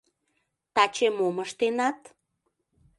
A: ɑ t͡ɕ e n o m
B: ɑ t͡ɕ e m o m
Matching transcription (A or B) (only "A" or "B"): B